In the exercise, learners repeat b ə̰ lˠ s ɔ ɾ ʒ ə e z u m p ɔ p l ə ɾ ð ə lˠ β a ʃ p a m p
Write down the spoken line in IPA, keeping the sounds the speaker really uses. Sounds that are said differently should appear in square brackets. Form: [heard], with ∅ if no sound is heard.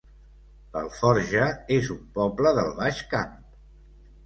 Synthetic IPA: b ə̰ lˠ [f] ɔ ɾ ʒ ə e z u m p ɔ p l ə [∅] ð ə lˠ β a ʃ [k] a m p